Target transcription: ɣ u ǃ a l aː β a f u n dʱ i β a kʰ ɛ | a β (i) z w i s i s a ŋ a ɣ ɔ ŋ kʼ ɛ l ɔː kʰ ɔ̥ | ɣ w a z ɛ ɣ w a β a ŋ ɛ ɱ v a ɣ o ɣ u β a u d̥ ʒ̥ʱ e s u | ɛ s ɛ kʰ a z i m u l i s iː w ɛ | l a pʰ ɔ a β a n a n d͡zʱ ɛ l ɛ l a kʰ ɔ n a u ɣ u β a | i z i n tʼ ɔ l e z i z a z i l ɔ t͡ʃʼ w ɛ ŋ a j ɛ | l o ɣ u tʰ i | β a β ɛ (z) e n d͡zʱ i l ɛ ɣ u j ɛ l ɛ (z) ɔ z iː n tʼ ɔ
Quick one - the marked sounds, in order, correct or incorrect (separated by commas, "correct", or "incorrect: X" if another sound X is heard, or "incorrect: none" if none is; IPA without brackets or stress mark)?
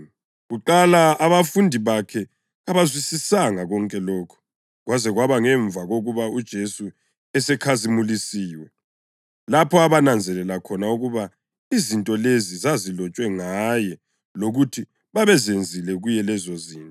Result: incorrect: a, correct, correct